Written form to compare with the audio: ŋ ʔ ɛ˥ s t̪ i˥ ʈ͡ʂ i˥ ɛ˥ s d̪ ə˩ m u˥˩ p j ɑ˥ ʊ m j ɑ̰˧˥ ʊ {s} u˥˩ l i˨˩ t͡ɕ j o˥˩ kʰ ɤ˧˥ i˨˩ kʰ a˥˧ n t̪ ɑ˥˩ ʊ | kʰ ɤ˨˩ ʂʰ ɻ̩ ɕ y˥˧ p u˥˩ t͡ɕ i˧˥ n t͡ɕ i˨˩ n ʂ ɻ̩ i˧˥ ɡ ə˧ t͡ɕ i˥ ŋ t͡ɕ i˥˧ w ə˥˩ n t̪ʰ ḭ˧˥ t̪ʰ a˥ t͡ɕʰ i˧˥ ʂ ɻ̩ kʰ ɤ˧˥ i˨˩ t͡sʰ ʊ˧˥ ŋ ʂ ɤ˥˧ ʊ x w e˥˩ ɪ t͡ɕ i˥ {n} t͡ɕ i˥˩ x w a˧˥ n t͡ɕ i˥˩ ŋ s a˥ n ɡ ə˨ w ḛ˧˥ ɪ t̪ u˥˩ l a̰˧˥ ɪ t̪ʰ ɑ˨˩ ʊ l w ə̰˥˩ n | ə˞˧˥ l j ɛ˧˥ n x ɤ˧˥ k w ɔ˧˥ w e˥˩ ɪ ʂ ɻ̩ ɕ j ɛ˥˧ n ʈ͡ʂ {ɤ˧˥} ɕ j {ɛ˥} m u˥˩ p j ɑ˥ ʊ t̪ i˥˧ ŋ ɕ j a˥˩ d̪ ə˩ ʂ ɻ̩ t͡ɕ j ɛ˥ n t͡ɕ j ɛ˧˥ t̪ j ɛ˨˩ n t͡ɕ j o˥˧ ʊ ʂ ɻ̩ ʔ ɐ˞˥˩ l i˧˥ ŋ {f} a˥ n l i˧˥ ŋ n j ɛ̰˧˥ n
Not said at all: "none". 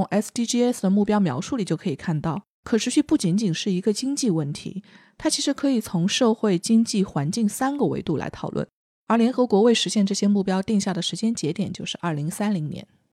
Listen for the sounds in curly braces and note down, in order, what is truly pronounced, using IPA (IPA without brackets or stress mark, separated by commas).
ʂ, ŋ, ɤ˥˩, ɛ˥, s